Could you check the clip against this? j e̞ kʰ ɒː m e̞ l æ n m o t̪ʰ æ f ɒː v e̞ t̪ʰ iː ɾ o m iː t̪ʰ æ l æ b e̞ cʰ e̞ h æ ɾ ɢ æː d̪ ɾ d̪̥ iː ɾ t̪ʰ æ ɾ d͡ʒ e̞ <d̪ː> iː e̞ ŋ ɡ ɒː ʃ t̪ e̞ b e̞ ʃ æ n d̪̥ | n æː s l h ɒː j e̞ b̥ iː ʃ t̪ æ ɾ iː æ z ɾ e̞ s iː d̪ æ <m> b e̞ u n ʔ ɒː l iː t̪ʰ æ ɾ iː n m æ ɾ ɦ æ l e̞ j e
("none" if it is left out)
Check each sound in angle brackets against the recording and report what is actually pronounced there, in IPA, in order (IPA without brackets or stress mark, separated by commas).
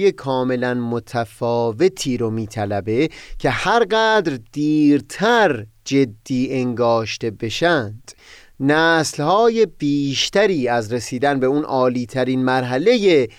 d̪ː, n